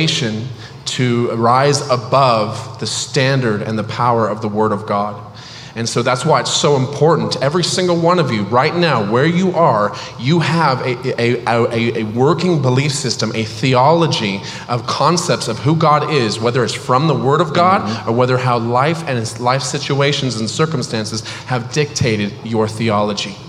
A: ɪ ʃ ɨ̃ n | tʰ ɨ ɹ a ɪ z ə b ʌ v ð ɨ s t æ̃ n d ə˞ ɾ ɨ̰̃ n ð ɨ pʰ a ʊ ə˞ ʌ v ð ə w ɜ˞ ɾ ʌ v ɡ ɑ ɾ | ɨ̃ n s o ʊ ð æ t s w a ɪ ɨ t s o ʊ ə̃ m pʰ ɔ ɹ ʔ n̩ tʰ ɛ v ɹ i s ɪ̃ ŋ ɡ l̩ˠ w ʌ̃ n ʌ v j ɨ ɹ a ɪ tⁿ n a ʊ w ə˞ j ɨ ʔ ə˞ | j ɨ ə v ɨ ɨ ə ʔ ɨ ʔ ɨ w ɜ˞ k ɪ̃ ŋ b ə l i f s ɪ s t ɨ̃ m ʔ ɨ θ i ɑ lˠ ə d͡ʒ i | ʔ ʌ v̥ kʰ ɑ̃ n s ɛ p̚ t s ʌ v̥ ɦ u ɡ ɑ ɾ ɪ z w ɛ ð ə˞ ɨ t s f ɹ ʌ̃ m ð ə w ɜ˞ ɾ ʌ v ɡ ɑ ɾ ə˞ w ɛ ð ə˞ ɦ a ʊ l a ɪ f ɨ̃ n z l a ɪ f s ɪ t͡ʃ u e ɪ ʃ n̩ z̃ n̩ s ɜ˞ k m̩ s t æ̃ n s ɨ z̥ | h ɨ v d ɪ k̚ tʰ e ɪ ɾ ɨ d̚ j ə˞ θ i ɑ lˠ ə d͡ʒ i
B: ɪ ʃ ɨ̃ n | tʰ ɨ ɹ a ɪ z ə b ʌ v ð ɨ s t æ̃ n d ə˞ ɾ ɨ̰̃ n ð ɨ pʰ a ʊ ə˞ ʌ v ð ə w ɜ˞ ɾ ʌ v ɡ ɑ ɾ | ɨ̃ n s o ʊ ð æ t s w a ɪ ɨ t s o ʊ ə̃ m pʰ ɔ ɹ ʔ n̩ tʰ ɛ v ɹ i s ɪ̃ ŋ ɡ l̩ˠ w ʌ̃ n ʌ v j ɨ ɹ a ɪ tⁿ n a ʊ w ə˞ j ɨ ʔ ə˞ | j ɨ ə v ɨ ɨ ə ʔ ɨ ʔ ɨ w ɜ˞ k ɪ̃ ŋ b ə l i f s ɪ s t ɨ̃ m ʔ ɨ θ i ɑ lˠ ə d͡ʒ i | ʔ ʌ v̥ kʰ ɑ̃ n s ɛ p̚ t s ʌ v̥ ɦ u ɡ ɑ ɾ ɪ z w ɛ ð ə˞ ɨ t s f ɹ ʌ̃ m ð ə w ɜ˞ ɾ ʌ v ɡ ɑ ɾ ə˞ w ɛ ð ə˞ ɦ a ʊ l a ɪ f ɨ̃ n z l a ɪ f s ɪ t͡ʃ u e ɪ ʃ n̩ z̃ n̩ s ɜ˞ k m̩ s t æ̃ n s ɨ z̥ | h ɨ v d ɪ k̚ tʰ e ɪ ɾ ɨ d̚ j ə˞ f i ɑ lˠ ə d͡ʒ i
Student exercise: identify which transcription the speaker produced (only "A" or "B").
A